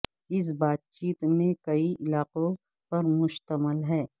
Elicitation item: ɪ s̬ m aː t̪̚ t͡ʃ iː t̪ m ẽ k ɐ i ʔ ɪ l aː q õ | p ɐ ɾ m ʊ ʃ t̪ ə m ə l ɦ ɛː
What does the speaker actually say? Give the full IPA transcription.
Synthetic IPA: ɪ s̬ b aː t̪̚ t͡ʃ iː t̪ m ẽ k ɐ i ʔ ɪ l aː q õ | p ɐ ɾ m ʊ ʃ t̪ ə m ə l ɦ ɛː